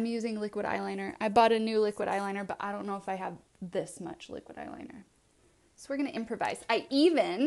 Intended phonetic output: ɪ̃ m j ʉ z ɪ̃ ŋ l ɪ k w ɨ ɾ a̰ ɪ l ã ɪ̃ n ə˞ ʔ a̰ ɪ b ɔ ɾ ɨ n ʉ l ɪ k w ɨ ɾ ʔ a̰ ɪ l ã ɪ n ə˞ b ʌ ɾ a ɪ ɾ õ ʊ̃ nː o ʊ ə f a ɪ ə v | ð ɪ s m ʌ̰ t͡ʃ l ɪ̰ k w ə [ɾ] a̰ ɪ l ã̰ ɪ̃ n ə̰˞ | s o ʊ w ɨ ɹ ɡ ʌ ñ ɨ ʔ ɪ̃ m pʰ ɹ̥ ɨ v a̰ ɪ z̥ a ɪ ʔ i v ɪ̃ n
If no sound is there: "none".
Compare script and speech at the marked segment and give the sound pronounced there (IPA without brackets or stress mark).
ɾ